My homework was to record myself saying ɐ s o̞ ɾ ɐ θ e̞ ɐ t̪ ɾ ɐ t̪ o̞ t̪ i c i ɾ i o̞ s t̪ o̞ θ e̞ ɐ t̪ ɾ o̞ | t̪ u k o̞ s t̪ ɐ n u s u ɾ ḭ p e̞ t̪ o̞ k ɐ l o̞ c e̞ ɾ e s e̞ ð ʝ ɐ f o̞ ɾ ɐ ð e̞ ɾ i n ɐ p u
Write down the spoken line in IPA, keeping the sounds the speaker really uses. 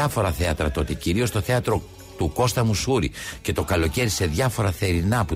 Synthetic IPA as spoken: ɐ f o̞ ɾ ɐ θ e̞ ɐ t̪ ɾ ɐ t̪ o̞ t̪ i c i ɾ i o̞ s t̪ o̞ θ e̞ ɐ t̪ ɾ o̞ | t̪ u k o̞ s t̪ ɐ m u s u ɾ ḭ c e̞ t̪ o̞ k ɐ l o̞ c e̞ ɾ i s e̞ ð ʝ ɐ f o̞ ɾ ɐ θ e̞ ɾ i n ɐ p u